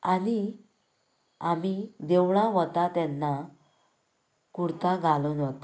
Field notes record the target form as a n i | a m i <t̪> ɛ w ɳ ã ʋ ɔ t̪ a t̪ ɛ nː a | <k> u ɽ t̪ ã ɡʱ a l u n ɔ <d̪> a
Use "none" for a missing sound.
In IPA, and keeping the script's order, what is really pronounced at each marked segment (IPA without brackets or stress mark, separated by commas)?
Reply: d̪, k, t̪